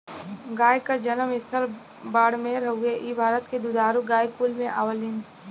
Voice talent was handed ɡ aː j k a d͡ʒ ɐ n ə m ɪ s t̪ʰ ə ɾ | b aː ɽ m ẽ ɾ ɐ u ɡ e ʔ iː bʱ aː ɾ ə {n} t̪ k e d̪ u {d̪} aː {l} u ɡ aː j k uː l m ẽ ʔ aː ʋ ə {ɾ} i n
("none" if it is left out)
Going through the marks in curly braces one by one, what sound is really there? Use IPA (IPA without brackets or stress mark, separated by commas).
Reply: none, d̪, ɾ, l